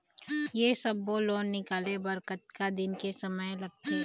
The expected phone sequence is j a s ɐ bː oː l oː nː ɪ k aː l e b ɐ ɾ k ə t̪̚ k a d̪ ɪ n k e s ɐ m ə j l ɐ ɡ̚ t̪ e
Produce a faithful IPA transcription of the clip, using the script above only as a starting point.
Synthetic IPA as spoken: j e s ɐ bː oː l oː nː ɪ k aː l e b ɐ ɾ k ə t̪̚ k a d̪ ɪ n k e s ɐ m ə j l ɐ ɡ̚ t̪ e